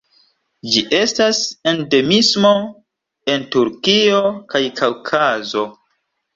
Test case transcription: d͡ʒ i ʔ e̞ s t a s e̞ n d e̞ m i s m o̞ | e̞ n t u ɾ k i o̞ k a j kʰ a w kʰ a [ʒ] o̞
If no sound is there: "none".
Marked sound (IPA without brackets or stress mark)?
z